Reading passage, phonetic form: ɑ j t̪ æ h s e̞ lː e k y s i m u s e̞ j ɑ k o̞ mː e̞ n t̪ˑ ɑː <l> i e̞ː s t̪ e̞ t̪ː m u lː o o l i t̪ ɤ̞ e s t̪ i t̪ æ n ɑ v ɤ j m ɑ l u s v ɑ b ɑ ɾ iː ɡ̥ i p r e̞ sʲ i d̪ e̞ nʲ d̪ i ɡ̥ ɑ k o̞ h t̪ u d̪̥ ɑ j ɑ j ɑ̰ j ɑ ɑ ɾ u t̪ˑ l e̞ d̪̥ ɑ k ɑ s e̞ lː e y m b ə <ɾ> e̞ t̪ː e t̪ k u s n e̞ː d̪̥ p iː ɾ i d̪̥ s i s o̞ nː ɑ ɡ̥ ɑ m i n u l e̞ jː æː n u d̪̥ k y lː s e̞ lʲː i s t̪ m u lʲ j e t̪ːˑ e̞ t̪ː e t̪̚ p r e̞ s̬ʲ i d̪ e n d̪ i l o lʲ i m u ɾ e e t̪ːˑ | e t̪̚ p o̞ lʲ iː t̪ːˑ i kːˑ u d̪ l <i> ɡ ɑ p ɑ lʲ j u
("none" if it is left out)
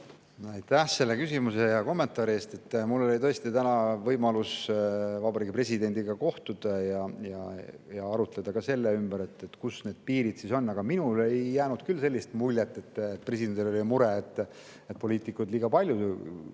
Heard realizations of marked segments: ɾ, ɾ, iː

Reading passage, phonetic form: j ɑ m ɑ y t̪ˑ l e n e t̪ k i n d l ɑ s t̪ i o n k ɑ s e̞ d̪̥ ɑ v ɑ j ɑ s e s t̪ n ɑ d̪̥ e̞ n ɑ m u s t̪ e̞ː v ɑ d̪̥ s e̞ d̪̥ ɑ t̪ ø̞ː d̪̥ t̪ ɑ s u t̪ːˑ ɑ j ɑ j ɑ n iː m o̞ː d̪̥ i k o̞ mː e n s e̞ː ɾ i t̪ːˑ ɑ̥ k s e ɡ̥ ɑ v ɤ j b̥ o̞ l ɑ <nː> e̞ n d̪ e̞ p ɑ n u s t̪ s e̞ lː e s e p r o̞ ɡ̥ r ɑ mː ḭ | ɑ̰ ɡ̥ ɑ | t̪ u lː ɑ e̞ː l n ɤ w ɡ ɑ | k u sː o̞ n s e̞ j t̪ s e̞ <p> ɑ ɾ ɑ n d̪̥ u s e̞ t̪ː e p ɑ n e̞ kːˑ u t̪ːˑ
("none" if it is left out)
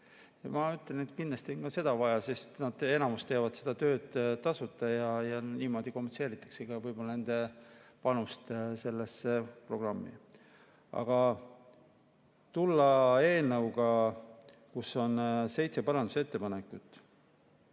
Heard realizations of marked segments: n, p

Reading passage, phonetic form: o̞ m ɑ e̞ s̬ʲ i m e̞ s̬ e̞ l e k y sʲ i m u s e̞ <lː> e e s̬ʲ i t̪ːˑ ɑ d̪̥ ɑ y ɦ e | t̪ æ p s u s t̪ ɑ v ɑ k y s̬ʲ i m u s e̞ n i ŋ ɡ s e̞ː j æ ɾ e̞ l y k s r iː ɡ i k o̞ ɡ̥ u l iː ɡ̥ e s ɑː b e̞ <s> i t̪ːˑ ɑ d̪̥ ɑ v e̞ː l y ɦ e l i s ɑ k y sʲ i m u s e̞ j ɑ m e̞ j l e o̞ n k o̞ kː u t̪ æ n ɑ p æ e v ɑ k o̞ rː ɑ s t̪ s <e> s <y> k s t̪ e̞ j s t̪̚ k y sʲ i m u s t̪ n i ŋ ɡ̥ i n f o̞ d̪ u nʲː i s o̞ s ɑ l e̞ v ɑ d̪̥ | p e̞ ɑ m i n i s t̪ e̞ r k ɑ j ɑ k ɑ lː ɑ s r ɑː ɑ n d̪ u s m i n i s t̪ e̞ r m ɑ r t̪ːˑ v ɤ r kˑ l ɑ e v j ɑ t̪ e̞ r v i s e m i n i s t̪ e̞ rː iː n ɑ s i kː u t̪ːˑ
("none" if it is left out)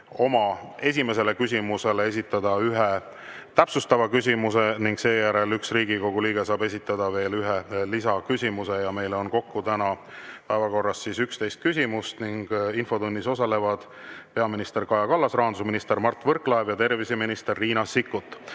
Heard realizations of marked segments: l, s, i, y

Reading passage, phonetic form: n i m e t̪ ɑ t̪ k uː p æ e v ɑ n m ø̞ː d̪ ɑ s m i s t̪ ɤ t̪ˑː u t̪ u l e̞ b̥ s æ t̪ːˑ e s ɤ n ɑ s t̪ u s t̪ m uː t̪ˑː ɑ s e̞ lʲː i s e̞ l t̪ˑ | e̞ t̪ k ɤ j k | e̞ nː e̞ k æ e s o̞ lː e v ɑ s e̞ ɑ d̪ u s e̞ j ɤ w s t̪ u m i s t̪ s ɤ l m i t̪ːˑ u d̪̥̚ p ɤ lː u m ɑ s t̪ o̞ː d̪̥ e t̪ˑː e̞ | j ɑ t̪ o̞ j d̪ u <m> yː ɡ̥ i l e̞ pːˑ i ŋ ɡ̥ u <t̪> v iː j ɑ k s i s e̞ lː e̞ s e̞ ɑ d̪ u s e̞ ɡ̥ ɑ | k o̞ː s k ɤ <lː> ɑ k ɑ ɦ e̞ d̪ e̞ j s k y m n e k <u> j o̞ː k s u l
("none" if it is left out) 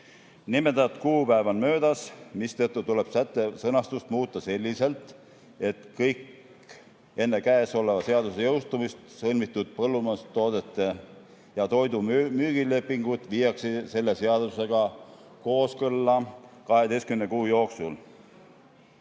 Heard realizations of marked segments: m, t̪, lː, uː

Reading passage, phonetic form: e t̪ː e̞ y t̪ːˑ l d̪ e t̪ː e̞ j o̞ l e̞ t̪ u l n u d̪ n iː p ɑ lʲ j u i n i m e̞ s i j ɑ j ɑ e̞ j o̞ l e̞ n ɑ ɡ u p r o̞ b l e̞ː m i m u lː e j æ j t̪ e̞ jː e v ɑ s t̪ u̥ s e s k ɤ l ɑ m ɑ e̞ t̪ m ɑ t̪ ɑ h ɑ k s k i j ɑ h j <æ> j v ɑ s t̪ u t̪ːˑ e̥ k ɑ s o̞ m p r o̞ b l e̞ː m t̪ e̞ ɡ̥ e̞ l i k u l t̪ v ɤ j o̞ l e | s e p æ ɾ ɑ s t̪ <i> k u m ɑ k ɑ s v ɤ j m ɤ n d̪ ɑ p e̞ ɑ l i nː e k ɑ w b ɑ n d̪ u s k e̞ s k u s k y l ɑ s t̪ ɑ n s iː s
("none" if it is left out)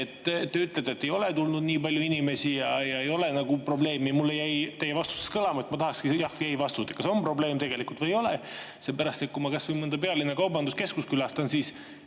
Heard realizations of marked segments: æ, e

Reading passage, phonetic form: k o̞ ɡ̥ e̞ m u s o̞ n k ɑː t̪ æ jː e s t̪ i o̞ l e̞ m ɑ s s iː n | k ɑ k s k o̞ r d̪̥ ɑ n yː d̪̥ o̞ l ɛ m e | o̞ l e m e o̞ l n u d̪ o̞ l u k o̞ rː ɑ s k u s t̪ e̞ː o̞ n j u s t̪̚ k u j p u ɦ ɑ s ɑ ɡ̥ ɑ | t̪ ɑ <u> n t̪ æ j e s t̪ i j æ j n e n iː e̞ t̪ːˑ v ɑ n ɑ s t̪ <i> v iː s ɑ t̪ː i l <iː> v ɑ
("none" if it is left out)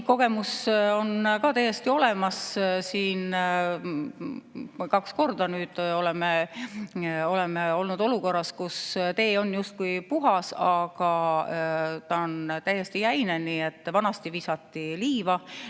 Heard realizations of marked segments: o, i, iː

